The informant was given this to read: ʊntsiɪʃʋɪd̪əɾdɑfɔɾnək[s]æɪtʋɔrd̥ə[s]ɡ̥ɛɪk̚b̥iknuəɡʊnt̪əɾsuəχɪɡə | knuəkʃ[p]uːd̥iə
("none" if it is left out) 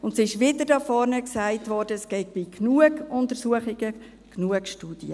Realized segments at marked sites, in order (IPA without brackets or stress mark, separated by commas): s, s, t